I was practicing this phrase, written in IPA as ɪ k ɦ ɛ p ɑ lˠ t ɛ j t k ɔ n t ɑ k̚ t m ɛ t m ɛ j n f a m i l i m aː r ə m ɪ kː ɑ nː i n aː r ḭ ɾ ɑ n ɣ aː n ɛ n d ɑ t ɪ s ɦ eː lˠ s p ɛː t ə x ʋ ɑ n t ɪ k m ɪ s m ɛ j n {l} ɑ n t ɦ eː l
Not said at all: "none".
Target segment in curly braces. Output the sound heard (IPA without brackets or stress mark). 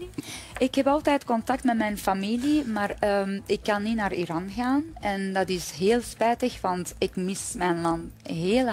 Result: l